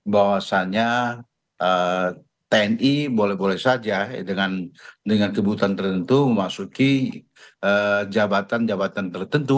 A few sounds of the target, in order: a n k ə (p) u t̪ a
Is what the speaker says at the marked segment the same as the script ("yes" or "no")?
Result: no